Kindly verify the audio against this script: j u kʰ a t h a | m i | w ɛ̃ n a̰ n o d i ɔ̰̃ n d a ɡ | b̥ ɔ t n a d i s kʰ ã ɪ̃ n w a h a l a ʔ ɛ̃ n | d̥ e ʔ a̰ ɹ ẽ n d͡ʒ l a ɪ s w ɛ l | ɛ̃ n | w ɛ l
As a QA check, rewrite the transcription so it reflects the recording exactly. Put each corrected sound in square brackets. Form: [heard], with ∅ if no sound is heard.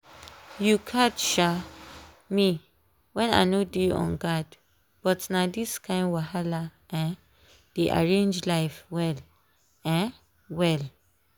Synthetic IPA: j u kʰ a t [ʃ] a | m i | w ɛ̃ n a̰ n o d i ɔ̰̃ n [ɡ] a [d] | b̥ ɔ t n a d i s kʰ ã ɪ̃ n w a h a l a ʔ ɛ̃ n | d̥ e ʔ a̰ ɹ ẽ n d͡ʒ l a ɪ [f] w ɛ l | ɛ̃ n | w ɛ l